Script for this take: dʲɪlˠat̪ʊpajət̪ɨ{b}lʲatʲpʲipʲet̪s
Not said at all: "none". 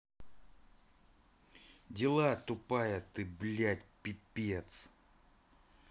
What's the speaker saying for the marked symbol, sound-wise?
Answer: b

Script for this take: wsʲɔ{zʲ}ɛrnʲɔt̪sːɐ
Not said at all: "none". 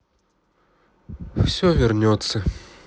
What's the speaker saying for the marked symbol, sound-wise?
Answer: vʲ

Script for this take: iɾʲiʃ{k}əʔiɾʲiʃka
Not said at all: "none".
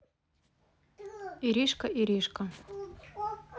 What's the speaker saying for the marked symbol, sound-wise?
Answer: k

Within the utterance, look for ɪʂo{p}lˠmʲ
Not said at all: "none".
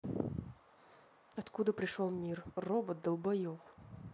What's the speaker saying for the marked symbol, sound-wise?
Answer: none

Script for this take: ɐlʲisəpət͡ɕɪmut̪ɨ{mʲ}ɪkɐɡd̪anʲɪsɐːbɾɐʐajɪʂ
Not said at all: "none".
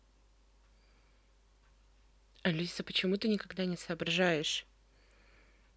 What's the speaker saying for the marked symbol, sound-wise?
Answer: nʲ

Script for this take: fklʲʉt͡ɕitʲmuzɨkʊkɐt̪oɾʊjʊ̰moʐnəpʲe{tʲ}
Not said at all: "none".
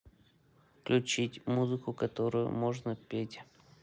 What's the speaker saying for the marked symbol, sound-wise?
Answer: tʲ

